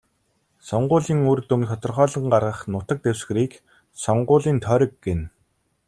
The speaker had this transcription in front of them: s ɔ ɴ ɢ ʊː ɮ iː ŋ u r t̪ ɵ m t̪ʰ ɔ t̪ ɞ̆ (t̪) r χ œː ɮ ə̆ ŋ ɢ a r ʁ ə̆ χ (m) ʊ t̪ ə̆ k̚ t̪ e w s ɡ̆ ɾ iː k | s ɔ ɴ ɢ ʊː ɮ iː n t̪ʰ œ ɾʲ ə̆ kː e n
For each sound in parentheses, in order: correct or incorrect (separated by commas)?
incorrect, incorrect